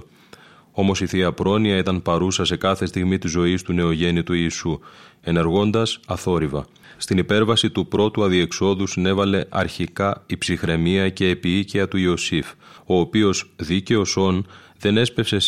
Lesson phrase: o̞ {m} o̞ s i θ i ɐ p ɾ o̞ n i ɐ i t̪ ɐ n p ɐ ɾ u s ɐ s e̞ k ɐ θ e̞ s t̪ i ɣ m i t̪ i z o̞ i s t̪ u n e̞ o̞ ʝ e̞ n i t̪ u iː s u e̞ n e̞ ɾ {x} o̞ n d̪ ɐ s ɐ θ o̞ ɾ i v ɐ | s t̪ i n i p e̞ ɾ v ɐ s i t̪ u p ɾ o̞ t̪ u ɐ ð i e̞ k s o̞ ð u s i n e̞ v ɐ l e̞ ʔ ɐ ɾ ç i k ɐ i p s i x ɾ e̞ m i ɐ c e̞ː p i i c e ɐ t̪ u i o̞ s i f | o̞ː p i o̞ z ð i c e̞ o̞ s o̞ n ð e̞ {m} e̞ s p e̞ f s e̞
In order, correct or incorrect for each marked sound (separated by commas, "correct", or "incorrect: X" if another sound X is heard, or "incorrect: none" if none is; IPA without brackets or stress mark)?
correct, incorrect: ɣ, incorrect: n